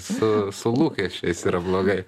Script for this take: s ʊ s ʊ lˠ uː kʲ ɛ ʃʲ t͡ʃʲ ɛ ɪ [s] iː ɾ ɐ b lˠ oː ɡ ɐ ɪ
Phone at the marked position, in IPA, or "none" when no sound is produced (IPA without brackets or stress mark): s